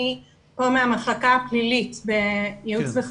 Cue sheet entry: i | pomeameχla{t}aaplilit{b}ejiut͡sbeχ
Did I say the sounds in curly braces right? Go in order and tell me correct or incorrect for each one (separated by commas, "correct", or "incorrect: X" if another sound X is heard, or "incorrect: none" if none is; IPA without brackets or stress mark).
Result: incorrect: k, correct